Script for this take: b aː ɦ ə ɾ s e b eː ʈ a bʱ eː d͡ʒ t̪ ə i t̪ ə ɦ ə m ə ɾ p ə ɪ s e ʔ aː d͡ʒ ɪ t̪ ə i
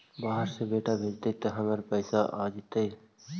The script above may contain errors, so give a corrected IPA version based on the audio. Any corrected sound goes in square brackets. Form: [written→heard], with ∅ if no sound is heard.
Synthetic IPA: b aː ɦ ə ɾ s e b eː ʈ a bʱ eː d͡ʒ t̪ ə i t̪ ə ɦ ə m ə ɾ p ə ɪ s [e→a] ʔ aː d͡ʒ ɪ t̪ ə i